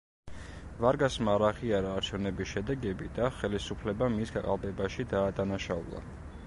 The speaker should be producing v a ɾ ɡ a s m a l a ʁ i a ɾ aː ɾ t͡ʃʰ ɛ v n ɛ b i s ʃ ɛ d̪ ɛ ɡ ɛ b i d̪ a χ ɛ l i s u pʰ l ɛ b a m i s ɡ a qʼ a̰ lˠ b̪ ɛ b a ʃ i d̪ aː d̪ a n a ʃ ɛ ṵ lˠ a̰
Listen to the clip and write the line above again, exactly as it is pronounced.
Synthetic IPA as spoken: v a ɾ ɡ a s m a ɾ a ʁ i a ɾ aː ɾ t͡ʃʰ ɛ v n ɛ b i s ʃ ɛ d̪ ɛ ɡ ɛ b i d̪ a χ ɛ l i s u pʰ l ɛ b a m i s ɡ a qʼ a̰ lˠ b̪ ɛ b a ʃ i d̪ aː d̪ a n a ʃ a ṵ lˠ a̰